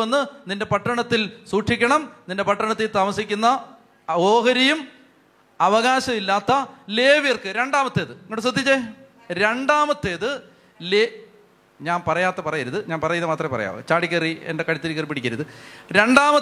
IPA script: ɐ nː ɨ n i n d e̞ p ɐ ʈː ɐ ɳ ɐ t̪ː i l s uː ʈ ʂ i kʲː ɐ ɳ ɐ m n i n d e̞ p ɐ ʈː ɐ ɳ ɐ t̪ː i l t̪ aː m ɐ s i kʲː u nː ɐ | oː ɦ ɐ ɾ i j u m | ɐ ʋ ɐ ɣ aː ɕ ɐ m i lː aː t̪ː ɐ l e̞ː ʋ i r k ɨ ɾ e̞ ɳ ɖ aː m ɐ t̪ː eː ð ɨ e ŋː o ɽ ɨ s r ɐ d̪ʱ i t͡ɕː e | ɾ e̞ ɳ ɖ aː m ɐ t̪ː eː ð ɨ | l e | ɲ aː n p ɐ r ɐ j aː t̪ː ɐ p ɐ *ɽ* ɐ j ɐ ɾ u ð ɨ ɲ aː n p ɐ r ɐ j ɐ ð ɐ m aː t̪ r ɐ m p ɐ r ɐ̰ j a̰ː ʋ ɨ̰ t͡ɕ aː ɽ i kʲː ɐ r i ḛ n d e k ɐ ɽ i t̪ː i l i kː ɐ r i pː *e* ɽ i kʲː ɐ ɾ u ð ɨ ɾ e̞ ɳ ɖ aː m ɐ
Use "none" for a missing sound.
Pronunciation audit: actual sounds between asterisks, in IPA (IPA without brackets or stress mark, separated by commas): r, i